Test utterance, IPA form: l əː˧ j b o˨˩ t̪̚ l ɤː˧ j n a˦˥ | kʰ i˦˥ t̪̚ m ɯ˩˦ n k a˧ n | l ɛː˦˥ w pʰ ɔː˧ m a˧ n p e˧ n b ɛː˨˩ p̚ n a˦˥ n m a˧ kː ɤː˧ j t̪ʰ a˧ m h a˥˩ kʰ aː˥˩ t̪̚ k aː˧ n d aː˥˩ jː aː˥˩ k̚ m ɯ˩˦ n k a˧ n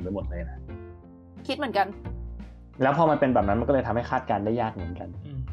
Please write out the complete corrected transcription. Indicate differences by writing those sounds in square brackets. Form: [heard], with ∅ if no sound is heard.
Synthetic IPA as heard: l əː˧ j [m] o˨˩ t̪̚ l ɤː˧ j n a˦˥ | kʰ i˦˥ t̪̚ m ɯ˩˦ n k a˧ n | l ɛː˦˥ w pʰ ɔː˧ m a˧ n p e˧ n b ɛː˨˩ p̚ n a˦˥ n m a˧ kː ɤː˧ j t̪ʰ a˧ m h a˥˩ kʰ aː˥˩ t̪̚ k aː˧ n d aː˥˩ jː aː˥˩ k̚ m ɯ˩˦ n k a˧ n